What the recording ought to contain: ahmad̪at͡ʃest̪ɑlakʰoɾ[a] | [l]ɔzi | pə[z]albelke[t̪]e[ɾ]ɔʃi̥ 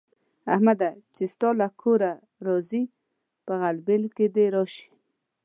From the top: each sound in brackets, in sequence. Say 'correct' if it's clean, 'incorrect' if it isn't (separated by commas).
correct, incorrect, incorrect, incorrect, correct